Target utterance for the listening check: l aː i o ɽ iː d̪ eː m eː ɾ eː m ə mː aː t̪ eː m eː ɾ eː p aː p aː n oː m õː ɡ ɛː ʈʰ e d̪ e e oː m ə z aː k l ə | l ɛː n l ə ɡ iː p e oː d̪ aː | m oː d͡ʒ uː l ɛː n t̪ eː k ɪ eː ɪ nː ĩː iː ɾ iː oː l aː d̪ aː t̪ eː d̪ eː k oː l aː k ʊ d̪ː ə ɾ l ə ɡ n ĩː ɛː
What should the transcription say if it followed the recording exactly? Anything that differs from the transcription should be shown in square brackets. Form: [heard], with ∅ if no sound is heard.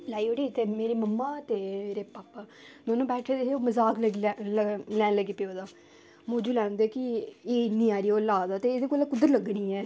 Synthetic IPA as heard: l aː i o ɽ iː [t̪] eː m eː ɾ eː m ə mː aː t̪ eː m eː ɾ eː p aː p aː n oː [n] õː [b] ɛː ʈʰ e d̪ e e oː m ə z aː k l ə | l ɛː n l ə ɡ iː p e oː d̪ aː | m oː d͡ʒ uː l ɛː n [d̪] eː k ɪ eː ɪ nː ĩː [aː] ɾ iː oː l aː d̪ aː t̪ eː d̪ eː k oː l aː k ʊ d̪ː ə ɾ l ə ɡ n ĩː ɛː